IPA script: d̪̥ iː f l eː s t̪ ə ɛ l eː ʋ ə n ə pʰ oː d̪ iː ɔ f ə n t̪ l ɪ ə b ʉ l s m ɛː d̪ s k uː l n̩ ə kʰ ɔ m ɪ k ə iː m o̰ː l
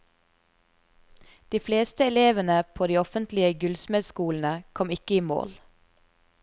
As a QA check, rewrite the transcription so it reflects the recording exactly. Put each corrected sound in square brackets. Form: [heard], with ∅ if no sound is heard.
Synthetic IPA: d̪̥ iː f l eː s t̪ ə ɛ l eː ʋ ə n ə pʰ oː d̪ iː ɔ f ə n t̪ l ɪ ə [ɡ] ʉ l s m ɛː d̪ s k uː l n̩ ə kʰ ɔ m ɪ k ə iː m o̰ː l